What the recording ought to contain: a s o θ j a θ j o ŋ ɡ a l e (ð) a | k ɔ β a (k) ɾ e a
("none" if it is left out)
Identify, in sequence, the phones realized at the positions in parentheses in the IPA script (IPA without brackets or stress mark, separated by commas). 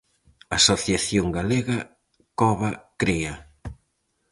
ɣ, k